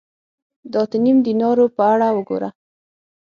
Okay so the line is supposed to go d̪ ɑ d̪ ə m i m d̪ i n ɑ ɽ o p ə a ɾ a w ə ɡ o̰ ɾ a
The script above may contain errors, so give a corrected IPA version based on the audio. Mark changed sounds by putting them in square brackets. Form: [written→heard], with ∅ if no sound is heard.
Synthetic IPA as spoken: d̪ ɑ [d̪→t̪] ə [m→n] i m d̪ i n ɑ [ɽ→ɾ] o p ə a [ɾ→ɽ] a w ə ɡ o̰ ɾ a